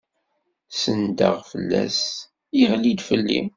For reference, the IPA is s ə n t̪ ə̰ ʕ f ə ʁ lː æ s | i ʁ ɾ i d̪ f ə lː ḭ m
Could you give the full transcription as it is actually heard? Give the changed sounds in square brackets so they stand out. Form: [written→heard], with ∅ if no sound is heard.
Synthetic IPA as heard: s ə n [t̪→d̪] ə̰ [ʕ→ʁ] f ə [ʁ→∅] lː æ s | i ʁ [ɾ→l] i d̪ f ə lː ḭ m